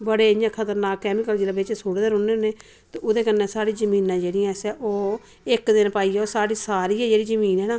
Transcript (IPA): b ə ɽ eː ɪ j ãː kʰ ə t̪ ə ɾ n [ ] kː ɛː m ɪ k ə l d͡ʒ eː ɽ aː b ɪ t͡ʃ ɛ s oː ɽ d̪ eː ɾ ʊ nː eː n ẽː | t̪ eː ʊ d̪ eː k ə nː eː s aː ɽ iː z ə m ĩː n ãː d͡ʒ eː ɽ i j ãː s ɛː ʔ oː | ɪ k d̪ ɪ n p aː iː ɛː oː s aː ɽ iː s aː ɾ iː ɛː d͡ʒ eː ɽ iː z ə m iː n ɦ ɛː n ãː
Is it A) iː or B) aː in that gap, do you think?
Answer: B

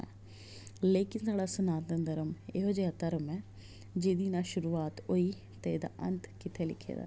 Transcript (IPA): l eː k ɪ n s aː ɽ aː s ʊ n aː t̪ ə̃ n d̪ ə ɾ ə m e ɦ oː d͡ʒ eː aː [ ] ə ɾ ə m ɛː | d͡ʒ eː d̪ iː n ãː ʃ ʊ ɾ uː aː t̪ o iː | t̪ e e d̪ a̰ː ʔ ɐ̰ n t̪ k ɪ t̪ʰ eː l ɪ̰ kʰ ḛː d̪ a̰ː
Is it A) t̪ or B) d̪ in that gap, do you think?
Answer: A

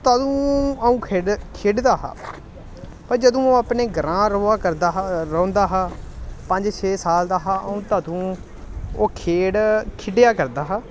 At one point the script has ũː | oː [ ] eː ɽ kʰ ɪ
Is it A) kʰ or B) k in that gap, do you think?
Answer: A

